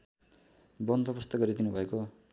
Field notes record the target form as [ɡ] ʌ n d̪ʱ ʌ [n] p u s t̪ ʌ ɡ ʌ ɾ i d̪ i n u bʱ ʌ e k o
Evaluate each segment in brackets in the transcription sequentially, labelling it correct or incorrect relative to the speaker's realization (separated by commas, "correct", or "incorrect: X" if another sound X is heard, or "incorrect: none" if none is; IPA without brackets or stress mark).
incorrect: b, incorrect: none